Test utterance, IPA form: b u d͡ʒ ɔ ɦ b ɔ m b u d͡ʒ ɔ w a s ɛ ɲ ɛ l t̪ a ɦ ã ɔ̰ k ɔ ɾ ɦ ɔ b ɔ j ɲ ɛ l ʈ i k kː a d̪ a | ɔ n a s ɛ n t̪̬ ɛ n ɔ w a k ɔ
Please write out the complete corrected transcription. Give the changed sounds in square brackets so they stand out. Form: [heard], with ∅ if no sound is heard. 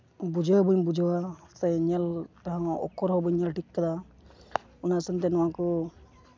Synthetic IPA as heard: b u d͡ʒ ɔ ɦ b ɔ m b u d͡ʒ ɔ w a s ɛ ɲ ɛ l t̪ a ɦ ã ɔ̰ k ɔ ɾ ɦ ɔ b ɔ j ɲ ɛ l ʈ i k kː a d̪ a | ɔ n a s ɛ n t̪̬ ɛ n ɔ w a k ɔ